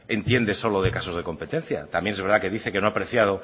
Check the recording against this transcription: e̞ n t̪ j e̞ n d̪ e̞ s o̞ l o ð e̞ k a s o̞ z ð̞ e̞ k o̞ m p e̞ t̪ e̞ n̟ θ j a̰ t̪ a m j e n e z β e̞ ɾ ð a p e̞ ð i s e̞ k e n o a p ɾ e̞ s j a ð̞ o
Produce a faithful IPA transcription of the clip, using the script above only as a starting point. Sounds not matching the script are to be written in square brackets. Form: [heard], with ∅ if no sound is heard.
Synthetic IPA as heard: e̞ n t̪ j e̞ n d̪ e̞ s o̞ l o ð e̞ k a s o̞ z ð̞ e̞ k o̞ m p e̞ t̪ e̞ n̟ θ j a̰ t̪ a m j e n e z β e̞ ɾ ð a [k] e̞ ð i [θ] e̞ k e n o a p ɾ e̞ [θ] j a ð̞ o